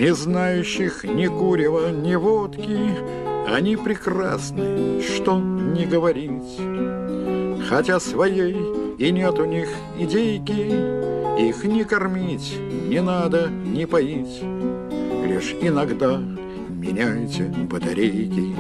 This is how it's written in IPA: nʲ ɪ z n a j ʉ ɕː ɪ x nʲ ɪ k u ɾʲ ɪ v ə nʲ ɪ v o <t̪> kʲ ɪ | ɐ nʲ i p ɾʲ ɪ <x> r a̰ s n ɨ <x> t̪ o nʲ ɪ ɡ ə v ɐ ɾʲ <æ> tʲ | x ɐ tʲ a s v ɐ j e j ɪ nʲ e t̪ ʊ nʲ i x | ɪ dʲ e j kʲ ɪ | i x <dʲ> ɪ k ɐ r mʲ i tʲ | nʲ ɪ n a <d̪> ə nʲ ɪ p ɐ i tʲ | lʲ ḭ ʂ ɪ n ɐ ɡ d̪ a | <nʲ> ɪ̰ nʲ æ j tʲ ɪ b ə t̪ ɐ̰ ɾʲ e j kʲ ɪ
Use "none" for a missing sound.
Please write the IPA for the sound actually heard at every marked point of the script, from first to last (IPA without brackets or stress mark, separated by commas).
t̪, k, ʂ, i, nʲ, d̪, mʲ